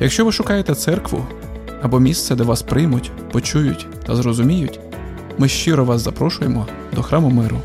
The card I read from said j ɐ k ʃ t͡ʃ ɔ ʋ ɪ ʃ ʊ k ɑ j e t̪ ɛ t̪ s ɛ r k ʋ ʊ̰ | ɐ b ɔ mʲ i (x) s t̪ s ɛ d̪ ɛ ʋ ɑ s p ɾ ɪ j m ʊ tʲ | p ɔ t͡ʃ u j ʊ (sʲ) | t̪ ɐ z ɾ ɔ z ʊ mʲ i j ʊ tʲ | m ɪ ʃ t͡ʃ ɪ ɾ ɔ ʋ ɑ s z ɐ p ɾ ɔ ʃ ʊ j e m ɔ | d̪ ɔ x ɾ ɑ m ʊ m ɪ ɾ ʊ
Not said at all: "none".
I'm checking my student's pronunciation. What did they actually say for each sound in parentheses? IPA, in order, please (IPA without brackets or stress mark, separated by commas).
none, tʲ